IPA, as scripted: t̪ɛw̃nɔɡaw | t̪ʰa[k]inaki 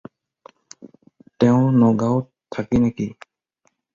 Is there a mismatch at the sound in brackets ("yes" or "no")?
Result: no